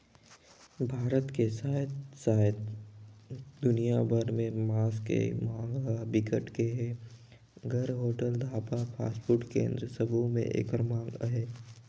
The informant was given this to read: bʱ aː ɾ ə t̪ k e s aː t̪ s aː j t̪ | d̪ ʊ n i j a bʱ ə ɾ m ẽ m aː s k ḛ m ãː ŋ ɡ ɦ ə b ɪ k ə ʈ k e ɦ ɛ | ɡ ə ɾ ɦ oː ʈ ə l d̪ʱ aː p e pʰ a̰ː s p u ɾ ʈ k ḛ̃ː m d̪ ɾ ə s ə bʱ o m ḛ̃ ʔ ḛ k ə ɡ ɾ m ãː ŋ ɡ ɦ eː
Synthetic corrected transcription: bʱ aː ɾ ə t̪ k e s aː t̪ s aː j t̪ | d̪ ʊ n i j a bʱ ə ɾ m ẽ m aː s k ḛ m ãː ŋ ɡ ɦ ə b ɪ k ə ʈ k e ɦ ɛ | ɡ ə ɾ ɦ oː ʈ ə l d̪ʱ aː p a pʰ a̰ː s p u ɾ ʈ k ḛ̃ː n d̪ ɾ ə s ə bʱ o m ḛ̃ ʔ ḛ k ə ɾ m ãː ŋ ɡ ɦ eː